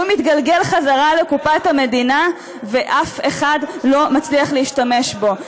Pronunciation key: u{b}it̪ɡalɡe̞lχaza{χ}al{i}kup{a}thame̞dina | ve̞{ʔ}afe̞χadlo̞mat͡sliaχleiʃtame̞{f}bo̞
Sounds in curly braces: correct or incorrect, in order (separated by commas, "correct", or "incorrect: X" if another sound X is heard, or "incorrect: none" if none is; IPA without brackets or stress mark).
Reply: incorrect: m, incorrect: ʁ, incorrect: e, correct, correct, incorrect: ʃ